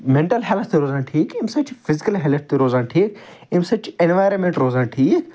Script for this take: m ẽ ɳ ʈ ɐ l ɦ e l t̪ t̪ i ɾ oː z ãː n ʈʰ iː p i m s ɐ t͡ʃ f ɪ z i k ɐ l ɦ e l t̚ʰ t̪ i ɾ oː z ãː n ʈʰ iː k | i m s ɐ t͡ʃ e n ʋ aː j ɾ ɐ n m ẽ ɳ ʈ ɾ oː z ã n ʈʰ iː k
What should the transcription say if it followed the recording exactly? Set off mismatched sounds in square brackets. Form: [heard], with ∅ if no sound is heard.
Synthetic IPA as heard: m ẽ ɳ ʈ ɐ l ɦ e l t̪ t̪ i ɾ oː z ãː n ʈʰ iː [k] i m s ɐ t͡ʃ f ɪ z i k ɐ l ɦ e l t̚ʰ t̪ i ɾ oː z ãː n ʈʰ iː k | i m s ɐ t͡ʃ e n ʋ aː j ɾ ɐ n m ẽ ɳ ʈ ɾ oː z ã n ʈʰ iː k